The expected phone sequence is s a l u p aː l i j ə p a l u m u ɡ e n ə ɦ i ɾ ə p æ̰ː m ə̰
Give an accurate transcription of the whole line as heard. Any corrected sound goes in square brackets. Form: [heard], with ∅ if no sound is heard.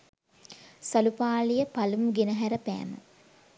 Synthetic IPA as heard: s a l u p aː l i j ə p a l u m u ɡ e n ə ɦ [æ] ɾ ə p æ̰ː m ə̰